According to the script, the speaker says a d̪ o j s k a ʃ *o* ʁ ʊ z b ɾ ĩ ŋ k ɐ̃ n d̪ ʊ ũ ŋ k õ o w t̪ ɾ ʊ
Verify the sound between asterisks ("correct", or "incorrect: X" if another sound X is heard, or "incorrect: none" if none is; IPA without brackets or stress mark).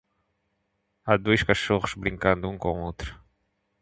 correct